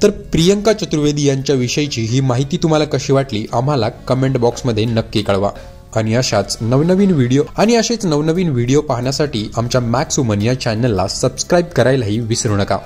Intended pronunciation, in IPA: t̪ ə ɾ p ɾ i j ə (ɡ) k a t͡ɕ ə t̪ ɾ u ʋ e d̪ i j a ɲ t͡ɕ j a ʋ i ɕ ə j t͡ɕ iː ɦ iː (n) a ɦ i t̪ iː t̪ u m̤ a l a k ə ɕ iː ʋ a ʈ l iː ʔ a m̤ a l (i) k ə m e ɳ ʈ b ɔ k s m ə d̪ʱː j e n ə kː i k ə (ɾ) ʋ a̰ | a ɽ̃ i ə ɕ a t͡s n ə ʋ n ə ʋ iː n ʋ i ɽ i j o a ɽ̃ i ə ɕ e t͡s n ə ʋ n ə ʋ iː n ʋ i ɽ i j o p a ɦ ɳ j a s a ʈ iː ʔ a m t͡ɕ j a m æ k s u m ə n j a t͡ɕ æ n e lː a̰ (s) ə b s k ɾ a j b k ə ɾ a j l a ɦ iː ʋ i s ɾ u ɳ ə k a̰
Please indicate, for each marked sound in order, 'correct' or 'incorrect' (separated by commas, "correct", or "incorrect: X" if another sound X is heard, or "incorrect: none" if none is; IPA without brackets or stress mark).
incorrect: ŋ, incorrect: m, incorrect: a, incorrect: ɭ, correct